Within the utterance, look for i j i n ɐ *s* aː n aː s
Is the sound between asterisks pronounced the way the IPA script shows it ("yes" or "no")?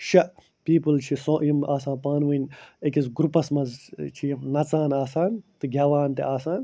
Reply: no